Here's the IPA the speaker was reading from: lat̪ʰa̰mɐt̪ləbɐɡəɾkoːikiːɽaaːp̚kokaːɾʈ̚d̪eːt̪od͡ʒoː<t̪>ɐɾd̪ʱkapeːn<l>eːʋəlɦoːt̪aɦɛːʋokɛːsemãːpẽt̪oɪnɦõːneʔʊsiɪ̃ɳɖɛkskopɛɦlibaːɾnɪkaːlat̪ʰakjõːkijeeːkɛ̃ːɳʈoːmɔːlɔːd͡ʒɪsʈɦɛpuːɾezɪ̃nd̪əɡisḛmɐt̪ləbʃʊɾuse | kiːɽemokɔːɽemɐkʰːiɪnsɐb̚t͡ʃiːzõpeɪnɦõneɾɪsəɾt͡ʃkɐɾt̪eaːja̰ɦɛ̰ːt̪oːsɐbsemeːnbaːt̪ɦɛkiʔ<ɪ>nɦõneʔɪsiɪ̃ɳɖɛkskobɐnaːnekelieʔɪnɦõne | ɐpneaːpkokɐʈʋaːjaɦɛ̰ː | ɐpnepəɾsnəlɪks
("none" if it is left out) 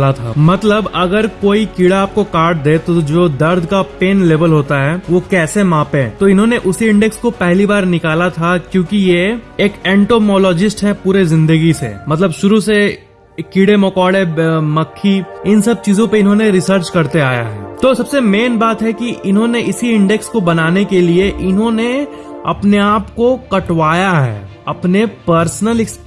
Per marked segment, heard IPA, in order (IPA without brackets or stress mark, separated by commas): d̪, l, ɪ